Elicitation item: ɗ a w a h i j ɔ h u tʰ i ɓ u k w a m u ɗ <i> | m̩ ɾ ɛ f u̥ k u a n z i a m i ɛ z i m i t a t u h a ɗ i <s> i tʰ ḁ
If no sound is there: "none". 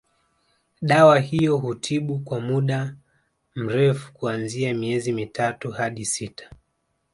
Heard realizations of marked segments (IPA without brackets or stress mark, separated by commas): a, s